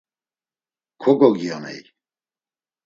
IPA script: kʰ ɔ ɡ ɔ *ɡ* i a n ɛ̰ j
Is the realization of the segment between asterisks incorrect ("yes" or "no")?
no